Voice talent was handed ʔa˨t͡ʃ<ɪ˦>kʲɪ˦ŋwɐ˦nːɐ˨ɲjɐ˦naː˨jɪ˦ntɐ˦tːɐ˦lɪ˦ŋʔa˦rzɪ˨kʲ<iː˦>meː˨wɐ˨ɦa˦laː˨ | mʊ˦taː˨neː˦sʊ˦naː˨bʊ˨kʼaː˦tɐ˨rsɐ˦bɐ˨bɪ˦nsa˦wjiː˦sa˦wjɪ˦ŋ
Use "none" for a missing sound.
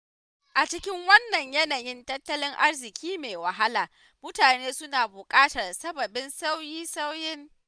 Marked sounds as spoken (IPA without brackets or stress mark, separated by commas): ɪ˦, iː˦